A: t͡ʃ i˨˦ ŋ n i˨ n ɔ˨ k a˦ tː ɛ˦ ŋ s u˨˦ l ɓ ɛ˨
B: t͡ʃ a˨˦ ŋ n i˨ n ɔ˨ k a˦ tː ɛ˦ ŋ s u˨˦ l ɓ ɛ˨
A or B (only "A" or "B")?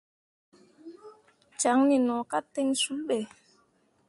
B